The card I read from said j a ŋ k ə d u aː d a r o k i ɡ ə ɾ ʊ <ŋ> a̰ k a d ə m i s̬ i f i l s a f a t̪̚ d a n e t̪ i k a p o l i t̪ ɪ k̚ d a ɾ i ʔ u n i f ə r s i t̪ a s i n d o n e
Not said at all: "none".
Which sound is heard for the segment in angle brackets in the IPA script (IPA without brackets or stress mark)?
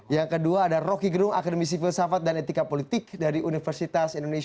ŋ